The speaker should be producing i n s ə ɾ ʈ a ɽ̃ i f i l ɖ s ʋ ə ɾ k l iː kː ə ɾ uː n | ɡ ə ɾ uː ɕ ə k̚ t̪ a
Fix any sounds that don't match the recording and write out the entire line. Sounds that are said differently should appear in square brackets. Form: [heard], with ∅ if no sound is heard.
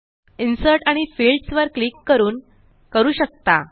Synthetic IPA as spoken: i n s ə ɾ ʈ a ɽ̃ i f i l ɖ s ʋ ə ɾ k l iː kː ə ɾ uː n | [k] ə ɾ uː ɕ ə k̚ t̪ a